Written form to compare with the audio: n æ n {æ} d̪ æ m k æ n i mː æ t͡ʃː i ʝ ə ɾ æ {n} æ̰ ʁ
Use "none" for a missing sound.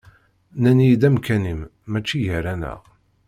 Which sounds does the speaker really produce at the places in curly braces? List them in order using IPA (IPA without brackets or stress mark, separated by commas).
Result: i, n